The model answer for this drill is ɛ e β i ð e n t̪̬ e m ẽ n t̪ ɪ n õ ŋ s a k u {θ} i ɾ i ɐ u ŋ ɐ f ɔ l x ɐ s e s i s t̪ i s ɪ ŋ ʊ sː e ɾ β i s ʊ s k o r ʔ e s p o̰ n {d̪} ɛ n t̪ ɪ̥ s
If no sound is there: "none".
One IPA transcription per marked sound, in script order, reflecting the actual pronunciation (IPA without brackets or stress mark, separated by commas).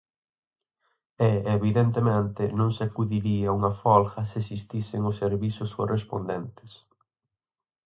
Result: ð, d̪